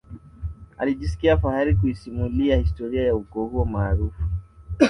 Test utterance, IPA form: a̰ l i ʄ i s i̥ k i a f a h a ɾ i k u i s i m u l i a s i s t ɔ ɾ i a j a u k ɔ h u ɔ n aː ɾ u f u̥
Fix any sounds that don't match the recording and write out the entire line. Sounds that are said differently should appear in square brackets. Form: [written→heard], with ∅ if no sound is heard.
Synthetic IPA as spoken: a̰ l i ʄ i s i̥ k i a f a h a ɾ i k u i s i m u l i a [s→h] i s t ɔ ɾ i a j a u k ɔ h u ɔ [n→m] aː ɾ u f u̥